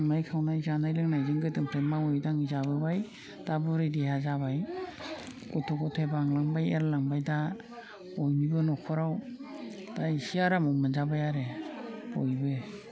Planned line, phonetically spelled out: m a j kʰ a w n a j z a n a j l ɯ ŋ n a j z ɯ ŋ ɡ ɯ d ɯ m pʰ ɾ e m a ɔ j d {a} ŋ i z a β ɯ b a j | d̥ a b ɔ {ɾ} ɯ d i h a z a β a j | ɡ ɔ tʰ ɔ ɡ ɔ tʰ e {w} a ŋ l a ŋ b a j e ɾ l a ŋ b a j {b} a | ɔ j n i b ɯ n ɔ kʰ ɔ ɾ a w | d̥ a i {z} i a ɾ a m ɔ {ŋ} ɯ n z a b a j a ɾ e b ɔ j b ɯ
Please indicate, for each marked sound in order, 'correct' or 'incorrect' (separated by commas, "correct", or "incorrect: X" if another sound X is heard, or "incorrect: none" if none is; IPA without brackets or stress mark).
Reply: correct, correct, incorrect: b, incorrect: d, incorrect: s, incorrect: m